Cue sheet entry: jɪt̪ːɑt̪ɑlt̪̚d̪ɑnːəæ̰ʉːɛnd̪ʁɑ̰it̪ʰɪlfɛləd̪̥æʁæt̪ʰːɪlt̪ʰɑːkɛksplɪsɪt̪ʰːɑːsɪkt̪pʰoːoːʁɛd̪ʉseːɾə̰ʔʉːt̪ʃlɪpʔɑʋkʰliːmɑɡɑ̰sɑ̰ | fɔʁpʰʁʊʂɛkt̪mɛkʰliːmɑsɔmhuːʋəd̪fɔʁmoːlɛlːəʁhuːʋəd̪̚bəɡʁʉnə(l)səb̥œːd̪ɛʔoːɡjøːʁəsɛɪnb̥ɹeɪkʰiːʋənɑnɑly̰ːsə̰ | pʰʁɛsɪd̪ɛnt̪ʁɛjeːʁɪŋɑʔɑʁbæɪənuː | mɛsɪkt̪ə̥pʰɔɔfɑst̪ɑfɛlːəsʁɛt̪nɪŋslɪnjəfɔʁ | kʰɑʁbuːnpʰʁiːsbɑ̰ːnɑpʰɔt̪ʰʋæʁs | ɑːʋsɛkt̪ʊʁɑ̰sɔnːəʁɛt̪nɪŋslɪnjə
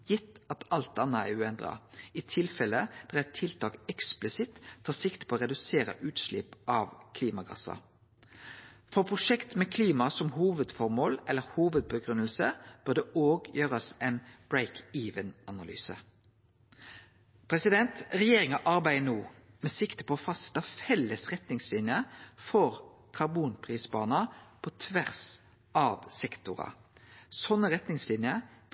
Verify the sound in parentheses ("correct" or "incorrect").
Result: correct